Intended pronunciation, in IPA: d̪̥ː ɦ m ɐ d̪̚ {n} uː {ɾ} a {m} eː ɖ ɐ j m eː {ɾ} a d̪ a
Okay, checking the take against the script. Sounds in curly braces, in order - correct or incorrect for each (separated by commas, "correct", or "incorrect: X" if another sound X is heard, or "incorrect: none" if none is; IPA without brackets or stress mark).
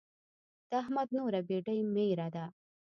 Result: correct, correct, incorrect: b, correct